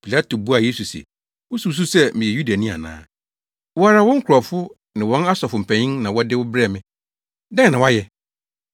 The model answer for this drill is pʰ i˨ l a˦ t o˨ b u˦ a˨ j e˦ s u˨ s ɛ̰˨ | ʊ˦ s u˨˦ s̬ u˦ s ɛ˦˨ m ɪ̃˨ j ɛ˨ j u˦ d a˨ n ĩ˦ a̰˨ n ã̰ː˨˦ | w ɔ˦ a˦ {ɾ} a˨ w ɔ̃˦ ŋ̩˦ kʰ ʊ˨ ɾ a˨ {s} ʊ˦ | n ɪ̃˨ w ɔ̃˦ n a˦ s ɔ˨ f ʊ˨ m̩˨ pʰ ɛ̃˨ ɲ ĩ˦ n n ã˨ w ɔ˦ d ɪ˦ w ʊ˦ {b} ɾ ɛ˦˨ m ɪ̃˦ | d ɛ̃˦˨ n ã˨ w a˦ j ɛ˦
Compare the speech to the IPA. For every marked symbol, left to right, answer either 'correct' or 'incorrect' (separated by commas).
correct, incorrect, correct